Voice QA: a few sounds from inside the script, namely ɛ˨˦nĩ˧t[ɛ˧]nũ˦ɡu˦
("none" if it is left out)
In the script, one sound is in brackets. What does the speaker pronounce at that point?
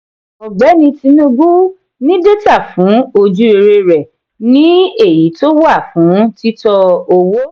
i˧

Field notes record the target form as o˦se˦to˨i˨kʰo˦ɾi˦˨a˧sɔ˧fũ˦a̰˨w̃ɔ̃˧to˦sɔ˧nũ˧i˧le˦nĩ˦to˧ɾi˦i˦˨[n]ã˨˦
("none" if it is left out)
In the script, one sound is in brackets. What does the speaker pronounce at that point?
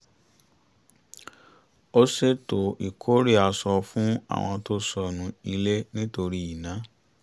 n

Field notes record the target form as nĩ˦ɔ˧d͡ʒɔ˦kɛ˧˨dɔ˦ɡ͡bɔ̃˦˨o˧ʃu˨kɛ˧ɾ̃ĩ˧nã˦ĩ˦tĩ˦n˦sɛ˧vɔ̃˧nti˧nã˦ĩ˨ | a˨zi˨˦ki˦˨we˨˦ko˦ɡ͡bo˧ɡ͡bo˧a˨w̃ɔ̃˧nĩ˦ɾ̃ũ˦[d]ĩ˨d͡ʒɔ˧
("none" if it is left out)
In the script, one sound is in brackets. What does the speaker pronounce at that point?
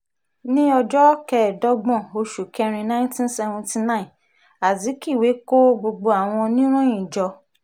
none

